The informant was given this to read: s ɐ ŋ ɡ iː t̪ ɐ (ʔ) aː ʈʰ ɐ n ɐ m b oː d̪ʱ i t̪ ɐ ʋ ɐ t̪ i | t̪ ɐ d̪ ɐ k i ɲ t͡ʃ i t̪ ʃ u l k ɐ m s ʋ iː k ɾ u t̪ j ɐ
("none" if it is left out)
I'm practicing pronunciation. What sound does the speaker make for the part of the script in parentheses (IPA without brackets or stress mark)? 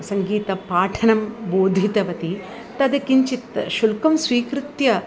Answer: p